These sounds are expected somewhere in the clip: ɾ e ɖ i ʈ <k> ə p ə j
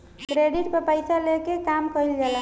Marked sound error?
yes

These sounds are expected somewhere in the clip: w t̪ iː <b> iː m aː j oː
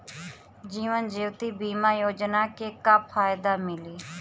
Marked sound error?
no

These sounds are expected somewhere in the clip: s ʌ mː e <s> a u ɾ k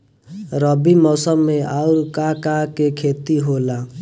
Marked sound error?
yes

